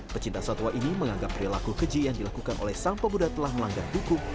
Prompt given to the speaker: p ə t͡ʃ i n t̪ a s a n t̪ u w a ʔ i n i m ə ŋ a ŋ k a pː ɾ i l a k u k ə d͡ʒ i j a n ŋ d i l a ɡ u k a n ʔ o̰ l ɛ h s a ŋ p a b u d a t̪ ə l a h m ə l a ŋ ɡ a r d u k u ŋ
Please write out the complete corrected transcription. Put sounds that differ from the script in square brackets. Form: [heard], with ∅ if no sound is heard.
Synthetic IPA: p ə t͡ʃ i n t̪ a s a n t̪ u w a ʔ i n i m ə ŋ a ŋ [ɡ] a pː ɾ i l a k u k ə d͡ʒ i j a [∅] ŋ d i l a [k] u k a n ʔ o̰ l ɛ h s a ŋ p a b u d a t̪ ə l a h m ə l a ŋ ɡ a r d u k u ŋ